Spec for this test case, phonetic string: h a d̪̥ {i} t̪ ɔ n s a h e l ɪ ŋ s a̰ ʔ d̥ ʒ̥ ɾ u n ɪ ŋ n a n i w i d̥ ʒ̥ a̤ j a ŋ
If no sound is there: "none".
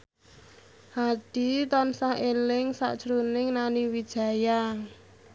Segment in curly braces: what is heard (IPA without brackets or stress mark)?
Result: i